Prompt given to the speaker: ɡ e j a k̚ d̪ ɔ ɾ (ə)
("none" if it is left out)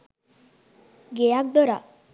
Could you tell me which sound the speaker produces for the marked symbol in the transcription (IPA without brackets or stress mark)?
a